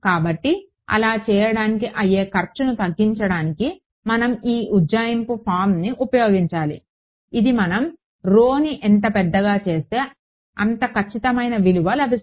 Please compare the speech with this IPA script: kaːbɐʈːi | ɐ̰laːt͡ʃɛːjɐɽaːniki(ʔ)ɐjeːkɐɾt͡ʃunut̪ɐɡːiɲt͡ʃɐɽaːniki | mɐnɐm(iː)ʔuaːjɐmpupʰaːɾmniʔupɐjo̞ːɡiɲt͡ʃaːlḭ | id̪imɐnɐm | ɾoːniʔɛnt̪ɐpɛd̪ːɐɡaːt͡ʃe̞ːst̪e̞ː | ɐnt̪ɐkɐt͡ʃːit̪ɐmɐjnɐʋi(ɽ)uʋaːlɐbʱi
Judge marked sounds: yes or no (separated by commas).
yes, yes, no